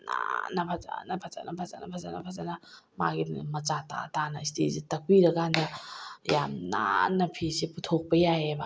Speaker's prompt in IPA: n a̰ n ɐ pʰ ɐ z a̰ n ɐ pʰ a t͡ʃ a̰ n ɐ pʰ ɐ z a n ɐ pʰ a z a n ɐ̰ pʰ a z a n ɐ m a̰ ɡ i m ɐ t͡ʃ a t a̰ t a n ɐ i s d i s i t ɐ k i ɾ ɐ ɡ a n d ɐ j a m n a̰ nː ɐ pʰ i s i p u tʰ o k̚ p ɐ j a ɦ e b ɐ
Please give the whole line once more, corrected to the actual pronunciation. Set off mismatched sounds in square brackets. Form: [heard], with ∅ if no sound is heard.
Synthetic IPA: n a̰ n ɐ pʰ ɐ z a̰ n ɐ pʰ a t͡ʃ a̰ n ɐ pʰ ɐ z a n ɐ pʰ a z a n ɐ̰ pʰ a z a n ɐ m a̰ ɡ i m ɐ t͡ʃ a t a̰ t a n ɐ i s [t] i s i t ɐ k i ɾ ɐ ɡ a n d ɐ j a m n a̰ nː ɐ pʰ i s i p u tʰ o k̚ p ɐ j a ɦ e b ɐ

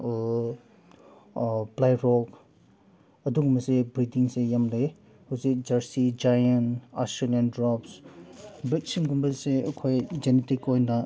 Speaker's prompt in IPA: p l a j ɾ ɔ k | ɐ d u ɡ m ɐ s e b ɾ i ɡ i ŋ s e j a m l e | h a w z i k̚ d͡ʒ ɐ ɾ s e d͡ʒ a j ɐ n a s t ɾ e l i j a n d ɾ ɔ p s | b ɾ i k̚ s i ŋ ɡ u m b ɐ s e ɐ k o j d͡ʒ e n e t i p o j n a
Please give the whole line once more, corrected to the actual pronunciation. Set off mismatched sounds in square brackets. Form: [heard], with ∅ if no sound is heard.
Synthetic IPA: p l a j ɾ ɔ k | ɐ d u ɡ m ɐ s e b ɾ i [d] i ŋ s e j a m l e | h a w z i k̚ d͡ʒ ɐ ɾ s [i] d͡ʒ a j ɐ n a s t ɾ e l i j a n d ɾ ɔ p s | b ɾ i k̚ s i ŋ ɡ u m b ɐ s e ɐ [kʰ] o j d͡ʒ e n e t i [k] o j n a

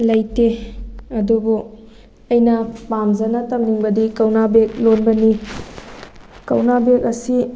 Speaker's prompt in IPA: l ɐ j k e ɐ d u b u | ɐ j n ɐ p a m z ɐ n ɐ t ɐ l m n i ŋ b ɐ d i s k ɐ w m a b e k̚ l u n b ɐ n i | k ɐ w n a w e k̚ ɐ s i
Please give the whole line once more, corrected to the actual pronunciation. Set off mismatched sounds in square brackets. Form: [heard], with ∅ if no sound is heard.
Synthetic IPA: l ɐ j [t] e ɐ d u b u | ɐ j n ɐ p a m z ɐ n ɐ t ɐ [∅] m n i ŋ b ɐ d i [∅] k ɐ w [n] a b e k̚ l [o] n b ɐ n i | k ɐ w n a [b] e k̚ ɐ s i

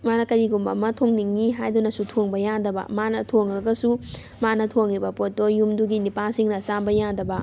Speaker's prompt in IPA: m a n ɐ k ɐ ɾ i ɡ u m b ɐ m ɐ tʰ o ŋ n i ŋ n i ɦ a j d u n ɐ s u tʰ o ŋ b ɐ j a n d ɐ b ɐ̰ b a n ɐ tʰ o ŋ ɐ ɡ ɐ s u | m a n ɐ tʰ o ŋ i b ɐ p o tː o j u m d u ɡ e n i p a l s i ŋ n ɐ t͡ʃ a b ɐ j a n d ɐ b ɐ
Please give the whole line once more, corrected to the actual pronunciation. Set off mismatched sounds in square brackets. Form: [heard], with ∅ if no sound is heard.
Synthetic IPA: m a n ɐ k ɐ ɾ i ɡ u m b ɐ m ɐ tʰ o ŋ n i ŋ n i ɦ a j d u n ɐ s u tʰ o ŋ b ɐ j a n d ɐ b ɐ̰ [m] a n ɐ tʰ o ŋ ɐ ɡ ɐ s u | m a n ɐ tʰ o ŋ i b ɐ p o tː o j u m d u ɡ [i] n i p a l s i ŋ n ɐ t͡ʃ a b ɐ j a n d ɐ b ɐ

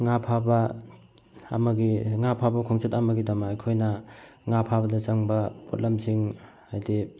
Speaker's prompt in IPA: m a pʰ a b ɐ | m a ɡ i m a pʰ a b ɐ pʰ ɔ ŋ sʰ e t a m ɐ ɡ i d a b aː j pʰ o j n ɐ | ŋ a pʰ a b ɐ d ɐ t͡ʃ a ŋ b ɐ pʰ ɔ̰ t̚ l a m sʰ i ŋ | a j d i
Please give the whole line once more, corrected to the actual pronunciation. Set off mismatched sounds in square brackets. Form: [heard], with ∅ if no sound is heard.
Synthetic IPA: [ŋ] a pʰ a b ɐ | m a ɡ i [ŋ] a pʰ a b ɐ [kʰ] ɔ ŋ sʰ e t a m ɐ ɡ i d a [m] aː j [kʰ] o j n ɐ | ŋ a pʰ a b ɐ d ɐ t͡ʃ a ŋ b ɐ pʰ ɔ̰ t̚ l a m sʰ i ŋ | a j d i

